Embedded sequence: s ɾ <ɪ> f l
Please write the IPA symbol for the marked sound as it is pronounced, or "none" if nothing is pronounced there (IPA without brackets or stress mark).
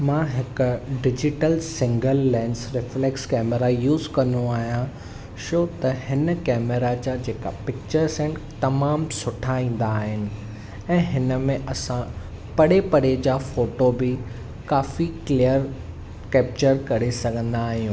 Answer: ɪ